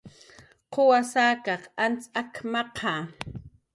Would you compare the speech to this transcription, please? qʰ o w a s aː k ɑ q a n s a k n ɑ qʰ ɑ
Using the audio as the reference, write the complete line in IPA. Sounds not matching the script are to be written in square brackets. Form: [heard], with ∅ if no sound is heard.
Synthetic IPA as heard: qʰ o w a s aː k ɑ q a n [t͡s] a k [m] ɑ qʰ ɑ